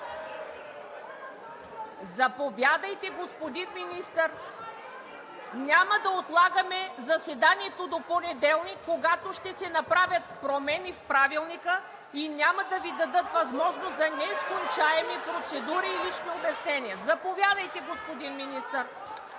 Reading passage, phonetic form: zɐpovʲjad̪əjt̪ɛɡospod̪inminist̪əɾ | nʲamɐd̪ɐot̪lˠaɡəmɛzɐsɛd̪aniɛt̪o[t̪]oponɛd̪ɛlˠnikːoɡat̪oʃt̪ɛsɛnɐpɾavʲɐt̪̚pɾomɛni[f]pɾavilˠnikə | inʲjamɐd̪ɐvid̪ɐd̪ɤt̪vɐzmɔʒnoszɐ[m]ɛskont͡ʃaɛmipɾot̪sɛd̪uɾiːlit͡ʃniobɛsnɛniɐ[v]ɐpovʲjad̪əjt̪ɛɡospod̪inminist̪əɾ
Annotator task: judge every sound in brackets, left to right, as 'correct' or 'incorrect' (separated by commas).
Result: incorrect, correct, incorrect, incorrect